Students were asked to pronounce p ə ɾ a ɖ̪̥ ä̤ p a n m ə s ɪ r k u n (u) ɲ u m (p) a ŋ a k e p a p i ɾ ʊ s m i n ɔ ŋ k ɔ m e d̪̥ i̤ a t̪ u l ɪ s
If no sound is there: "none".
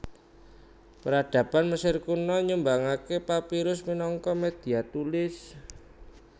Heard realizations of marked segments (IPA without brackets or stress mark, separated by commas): ɔ, b